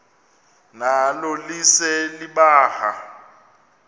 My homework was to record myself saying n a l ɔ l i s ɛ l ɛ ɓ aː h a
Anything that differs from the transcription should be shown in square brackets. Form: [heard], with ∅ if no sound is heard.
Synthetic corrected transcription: n a l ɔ l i s ɛ l [i] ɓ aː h a